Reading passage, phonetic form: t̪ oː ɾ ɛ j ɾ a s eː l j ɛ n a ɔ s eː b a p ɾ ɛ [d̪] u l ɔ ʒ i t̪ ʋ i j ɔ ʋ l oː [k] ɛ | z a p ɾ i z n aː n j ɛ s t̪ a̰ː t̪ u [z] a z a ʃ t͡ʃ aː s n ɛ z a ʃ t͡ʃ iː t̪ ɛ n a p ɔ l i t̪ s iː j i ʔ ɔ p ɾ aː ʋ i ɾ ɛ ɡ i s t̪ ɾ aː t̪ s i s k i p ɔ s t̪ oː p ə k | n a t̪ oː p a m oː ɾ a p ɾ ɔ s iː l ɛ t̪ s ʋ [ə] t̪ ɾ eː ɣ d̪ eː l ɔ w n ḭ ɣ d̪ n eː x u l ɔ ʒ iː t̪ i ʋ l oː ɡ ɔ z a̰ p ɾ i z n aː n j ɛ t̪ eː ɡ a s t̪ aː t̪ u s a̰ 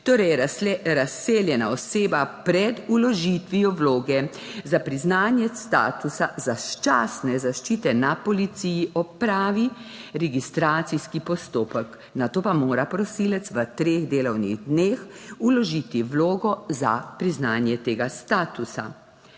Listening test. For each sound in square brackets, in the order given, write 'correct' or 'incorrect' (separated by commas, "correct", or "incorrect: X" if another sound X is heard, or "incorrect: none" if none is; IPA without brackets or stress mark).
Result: correct, incorrect: ɡ, incorrect: s, correct